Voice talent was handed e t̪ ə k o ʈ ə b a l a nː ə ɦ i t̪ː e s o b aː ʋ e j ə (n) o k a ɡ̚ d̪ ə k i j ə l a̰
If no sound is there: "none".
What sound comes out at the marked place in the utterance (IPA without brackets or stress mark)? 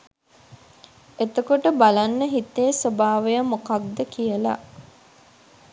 m